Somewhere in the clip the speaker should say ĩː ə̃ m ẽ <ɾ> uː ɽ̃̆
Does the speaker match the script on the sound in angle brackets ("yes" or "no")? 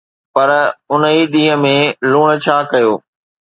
no